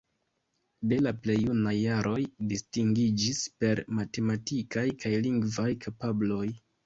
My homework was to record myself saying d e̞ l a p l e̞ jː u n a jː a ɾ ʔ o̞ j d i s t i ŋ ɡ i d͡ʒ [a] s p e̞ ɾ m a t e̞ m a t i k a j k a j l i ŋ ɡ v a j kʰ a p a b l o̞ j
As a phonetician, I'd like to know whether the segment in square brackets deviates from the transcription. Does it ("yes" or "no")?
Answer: yes